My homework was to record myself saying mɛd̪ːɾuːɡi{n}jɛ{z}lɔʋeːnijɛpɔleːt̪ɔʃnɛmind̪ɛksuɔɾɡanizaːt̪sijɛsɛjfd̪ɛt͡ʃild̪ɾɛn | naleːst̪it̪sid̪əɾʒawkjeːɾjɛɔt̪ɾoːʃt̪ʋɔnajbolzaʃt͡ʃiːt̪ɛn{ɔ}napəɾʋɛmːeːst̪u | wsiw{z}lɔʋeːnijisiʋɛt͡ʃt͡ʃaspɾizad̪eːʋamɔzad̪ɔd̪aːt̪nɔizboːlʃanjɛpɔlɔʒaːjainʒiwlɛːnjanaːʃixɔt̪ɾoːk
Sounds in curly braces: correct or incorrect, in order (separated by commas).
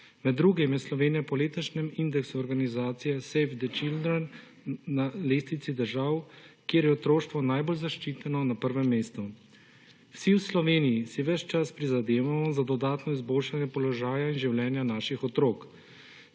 incorrect, incorrect, correct, incorrect